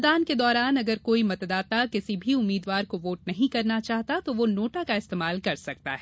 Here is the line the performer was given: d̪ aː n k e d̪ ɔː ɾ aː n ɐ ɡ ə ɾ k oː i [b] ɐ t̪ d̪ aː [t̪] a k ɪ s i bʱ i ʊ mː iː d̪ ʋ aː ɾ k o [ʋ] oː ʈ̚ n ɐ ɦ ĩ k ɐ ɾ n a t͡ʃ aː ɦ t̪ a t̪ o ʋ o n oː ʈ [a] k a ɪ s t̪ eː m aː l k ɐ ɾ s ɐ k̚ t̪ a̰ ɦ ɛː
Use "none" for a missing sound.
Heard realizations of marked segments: m, t̪, ʋ, a

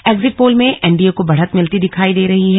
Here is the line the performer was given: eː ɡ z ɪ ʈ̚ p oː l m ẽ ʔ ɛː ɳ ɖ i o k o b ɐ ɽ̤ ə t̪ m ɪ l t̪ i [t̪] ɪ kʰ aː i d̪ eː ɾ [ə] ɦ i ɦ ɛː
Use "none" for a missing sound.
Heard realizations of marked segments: d̪, ɐ

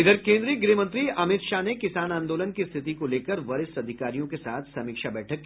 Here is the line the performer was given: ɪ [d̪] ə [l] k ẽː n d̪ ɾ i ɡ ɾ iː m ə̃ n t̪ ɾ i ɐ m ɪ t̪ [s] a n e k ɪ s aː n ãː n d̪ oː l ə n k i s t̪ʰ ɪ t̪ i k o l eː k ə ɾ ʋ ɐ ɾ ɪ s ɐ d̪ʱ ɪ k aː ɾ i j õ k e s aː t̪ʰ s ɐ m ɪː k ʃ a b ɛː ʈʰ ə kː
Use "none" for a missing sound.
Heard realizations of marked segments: d̪, ɾ, ʃ

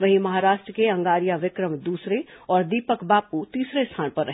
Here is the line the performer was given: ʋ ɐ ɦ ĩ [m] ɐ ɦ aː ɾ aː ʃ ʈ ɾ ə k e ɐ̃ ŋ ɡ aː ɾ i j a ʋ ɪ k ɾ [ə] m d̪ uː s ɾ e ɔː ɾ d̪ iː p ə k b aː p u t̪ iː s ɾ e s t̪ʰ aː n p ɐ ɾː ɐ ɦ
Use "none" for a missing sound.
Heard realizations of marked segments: m, ə

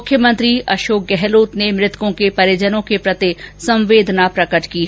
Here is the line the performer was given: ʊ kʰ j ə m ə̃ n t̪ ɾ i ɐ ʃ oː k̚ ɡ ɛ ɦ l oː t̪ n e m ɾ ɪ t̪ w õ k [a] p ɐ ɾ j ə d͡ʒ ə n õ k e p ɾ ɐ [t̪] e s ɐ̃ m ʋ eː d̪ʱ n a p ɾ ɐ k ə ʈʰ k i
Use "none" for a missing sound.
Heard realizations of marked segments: e, t̪

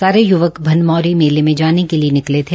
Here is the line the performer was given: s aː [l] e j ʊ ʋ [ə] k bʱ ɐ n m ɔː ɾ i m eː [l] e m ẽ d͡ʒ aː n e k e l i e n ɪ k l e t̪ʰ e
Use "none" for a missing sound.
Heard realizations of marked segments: ɾ, ə, l

